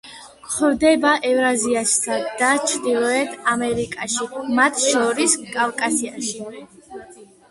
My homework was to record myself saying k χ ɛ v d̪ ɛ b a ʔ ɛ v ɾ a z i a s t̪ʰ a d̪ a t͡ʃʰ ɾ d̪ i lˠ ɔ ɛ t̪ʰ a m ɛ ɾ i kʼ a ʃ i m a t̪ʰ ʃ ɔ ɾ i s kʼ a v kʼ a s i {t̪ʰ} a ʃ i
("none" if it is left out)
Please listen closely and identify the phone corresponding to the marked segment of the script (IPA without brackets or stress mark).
none